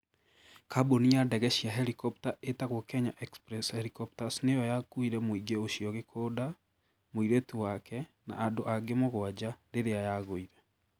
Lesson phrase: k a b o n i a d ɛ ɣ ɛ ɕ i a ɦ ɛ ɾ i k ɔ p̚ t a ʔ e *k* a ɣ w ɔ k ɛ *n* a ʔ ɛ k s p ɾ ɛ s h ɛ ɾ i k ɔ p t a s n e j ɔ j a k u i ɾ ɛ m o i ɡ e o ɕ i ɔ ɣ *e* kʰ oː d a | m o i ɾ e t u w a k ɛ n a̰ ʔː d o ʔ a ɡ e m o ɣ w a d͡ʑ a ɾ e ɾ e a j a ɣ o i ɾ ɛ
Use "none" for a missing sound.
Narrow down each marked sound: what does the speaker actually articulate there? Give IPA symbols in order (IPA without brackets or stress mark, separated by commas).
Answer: t, ɲ, e